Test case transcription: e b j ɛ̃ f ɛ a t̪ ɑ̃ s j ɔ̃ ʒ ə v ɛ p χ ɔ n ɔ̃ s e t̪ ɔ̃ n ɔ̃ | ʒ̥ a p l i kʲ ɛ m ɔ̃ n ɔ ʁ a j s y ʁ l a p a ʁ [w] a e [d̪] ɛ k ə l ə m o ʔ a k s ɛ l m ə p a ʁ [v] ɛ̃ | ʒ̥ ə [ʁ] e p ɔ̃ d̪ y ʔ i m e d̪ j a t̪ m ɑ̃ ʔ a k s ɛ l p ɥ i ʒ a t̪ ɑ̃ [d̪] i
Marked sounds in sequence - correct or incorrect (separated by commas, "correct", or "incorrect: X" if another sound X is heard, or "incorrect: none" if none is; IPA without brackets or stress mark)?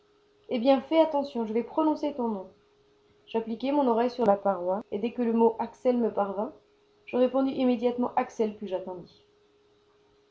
correct, correct, correct, correct, correct